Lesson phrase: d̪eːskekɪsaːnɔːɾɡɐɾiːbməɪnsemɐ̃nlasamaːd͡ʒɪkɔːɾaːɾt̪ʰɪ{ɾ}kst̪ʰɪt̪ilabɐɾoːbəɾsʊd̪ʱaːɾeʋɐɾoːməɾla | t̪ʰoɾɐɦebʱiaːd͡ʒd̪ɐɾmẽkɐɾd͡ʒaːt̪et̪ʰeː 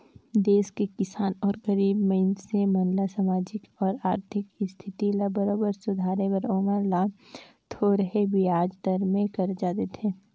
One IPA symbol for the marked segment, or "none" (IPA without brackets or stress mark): none